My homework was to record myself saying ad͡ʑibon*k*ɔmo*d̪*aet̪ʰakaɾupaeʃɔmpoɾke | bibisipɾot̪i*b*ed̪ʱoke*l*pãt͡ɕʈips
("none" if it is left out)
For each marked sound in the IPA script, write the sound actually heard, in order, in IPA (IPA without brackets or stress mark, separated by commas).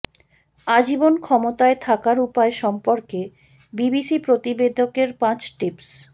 kʰ, t̪, b, ɾ